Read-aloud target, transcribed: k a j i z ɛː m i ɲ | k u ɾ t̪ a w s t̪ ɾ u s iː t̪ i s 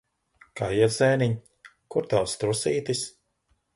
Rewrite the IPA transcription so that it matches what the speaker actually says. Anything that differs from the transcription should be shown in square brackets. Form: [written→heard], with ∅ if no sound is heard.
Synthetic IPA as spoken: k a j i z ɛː [m→n] i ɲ | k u ɾ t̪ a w s t̪ ɾ u s iː t̪ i s